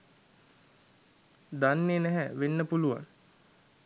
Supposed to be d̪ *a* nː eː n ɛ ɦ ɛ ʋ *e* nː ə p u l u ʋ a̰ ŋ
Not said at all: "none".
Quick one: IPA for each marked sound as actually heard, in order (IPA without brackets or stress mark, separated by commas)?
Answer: a, e